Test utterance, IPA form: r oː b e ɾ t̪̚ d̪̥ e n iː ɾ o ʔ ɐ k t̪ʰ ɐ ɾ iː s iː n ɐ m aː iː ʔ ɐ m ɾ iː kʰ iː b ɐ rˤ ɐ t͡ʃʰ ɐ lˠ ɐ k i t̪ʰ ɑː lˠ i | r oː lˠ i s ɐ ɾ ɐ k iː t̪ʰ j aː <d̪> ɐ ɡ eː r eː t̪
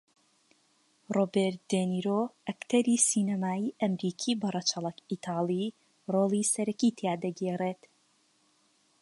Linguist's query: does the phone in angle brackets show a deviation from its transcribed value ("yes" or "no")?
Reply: no